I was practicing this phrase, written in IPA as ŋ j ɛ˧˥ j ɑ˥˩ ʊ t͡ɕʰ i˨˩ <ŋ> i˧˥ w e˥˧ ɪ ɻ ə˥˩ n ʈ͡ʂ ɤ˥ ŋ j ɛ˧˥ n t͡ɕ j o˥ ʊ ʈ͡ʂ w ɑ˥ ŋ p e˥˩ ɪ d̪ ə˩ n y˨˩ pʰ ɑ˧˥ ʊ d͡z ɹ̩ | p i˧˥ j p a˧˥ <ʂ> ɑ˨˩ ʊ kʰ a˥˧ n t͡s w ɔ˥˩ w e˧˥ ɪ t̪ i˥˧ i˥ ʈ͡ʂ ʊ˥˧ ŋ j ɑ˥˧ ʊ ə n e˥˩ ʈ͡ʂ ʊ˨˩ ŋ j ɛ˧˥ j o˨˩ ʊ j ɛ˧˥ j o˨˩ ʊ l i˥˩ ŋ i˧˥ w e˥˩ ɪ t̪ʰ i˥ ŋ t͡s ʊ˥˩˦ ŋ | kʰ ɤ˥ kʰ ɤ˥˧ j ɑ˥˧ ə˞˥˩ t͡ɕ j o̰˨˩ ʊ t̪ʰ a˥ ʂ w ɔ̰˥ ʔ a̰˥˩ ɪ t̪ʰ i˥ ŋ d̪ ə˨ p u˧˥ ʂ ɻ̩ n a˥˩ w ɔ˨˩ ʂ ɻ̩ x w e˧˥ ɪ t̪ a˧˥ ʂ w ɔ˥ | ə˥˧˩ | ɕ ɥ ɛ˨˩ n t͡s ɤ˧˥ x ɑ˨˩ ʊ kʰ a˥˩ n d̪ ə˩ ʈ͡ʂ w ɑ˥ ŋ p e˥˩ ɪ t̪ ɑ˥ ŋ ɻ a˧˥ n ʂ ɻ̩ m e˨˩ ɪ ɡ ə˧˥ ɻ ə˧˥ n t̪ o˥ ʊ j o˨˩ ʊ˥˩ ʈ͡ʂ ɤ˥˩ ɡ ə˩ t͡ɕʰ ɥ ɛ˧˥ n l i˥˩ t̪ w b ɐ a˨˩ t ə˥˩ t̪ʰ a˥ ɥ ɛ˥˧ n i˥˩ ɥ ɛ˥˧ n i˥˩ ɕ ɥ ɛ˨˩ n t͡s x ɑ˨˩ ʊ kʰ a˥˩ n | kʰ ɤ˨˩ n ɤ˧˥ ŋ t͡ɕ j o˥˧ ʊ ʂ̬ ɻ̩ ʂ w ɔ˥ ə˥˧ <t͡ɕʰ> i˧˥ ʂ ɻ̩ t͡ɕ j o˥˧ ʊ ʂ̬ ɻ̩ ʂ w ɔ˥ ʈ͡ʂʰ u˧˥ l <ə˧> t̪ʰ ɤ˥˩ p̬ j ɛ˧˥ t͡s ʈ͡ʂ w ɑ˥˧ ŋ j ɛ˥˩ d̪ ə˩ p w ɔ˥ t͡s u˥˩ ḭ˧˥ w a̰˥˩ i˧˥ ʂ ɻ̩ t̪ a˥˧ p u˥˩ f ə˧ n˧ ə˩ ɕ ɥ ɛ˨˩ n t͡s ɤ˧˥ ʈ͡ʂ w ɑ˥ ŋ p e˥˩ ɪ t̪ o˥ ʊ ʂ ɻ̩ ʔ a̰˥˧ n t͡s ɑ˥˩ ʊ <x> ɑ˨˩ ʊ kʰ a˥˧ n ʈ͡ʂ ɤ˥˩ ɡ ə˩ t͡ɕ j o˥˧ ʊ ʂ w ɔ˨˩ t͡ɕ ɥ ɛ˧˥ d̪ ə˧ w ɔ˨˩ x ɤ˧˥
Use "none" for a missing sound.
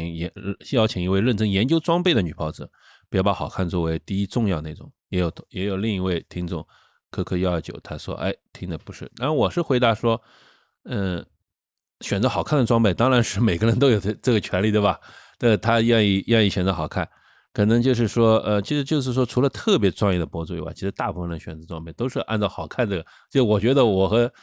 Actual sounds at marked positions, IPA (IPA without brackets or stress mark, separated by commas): ŋ, x, t͡ɕʰ, ə˧, x